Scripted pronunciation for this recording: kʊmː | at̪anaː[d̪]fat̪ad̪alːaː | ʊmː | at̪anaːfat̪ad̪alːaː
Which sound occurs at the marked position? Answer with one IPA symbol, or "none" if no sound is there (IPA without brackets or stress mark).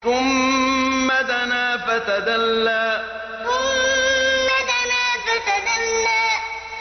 none